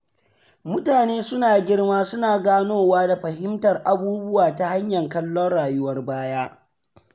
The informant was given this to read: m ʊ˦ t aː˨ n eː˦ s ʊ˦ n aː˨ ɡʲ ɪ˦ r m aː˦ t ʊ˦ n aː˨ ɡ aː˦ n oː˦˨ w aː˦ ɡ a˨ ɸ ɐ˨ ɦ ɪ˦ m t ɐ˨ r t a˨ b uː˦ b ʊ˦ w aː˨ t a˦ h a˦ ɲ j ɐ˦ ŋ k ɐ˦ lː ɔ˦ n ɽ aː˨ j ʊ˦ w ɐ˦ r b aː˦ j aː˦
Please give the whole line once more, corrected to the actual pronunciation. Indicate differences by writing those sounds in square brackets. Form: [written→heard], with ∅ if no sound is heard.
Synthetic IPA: m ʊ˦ t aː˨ n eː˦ s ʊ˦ n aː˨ ɡʲ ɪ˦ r m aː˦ [t→s] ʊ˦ n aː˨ ɡ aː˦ n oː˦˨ w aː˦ [ɡ→d] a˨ ɸ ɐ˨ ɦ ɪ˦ m t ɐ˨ r [t→ʔ] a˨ b uː˦ b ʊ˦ w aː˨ t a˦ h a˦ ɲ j [ɐ˦→ɐ˨] ŋ k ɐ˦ lː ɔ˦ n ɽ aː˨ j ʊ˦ w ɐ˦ r b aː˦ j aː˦